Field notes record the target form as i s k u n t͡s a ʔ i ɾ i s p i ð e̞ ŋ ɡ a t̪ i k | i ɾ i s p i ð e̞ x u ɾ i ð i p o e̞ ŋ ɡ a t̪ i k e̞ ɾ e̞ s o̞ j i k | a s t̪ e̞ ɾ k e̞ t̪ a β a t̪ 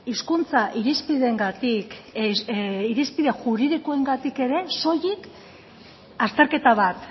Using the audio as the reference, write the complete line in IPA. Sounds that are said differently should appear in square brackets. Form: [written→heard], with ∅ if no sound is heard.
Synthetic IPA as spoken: i s k u n t͡s a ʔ i ɾ i s p i ð e̞ ŋ ɡ a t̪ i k | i ɾ i s p i ð e̞ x u ɾ i ð i [p→k] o e̞ ŋ ɡ a t̪ i k e̞ ɾ e̞ s o̞ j i k | a s t̪ e̞ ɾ k e̞ t̪ a β a t̪